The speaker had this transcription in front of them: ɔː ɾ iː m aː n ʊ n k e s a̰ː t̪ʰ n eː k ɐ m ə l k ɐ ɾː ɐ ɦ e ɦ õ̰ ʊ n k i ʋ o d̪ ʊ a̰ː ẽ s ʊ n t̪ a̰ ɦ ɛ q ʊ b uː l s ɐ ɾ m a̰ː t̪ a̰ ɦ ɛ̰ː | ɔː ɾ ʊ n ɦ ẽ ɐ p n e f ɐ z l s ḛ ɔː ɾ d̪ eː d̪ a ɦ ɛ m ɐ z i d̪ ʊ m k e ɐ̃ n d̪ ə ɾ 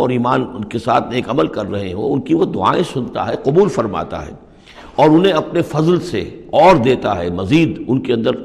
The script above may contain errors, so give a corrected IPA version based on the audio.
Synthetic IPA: ɔː ɾ iː m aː n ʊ n k e s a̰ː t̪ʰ n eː k ɐ m ə l k ɐ ɾː ɐ ɦ e ɦ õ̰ ʊ n k i ʋ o d̪ ʊ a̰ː ẽ s ʊ n t̪ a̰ ɦ ɛ q ʊ b uː l f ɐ ɾ m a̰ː t̪ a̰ ɦ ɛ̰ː | ɔː ɾ ʊ n ɦ ẽ ɐ p n e f ɐ z l s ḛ ɔː ɾ d̪ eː t̪ a ɦ ɛ m ɐ z iː d̪ ʊ n k e ɐ̃ n d̪ ə ɾ